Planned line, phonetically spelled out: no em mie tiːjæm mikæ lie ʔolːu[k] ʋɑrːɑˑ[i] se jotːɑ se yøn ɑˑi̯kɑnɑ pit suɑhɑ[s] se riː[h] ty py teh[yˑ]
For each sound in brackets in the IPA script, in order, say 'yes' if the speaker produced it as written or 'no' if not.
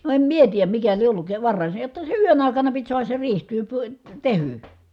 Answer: yes, yes, yes, yes, yes

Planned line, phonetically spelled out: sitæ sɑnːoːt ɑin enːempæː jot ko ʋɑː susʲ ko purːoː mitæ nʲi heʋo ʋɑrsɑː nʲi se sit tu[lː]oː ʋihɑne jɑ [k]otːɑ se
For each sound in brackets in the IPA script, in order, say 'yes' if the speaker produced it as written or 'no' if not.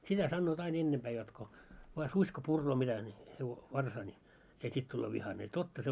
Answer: yes, no

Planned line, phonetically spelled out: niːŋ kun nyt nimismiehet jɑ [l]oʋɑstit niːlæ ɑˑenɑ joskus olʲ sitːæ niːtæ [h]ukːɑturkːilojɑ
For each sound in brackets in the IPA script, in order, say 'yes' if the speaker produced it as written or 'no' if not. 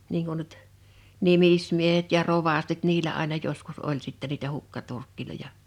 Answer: no, yes

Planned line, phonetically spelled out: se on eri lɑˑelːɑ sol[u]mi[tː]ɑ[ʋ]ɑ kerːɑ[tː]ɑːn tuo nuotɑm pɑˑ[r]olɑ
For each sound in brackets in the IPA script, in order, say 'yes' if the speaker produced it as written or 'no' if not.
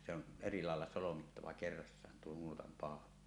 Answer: no, yes, yes, no, no

